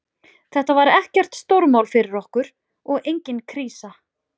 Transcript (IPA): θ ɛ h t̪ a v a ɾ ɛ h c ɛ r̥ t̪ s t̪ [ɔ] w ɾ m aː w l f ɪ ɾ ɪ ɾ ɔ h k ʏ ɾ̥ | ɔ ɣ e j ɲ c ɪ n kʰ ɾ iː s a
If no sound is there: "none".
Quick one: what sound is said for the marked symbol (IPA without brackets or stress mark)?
o